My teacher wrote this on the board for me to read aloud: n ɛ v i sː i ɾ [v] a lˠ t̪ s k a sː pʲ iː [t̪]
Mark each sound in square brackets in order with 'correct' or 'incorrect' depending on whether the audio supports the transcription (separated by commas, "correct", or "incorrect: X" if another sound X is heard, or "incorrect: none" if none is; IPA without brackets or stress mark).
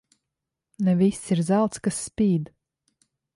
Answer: incorrect: z, incorrect: d̪